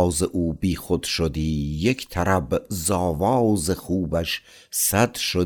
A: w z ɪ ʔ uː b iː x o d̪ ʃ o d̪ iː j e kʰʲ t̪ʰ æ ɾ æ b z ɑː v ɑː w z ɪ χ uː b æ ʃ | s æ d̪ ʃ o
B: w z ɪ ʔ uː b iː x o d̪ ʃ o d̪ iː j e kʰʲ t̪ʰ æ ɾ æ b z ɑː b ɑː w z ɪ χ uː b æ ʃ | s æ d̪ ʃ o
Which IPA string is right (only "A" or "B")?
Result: A